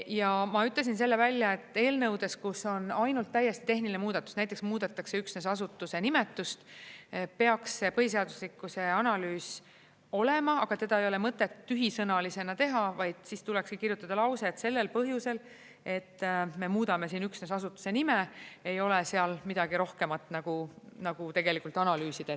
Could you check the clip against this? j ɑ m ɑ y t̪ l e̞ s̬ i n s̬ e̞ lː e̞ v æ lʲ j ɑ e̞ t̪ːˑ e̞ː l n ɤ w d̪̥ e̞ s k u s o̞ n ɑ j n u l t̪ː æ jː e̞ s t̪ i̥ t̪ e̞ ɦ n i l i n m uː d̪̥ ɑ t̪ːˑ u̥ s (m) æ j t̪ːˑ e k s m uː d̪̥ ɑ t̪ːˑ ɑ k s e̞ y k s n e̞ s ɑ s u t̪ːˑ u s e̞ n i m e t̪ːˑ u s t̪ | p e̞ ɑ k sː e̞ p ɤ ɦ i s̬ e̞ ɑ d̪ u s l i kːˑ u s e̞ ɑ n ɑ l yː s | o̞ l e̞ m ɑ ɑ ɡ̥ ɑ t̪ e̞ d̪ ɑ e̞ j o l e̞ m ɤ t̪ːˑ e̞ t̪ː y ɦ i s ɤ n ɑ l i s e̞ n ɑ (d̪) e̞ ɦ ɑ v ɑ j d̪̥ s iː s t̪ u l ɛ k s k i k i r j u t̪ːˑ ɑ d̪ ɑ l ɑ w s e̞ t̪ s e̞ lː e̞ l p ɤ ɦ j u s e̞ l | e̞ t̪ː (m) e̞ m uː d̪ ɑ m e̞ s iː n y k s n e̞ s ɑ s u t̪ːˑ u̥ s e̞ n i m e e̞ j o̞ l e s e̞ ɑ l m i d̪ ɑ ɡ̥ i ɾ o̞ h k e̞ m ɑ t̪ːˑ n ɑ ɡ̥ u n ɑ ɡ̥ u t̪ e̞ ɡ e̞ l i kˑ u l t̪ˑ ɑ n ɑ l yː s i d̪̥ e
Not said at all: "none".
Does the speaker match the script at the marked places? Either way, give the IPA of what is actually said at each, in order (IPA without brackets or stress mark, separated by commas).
n, t̪, m